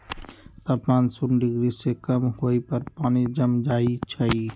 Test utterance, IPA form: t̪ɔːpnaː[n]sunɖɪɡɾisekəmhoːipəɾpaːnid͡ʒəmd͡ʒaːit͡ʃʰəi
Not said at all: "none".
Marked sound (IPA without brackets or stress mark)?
n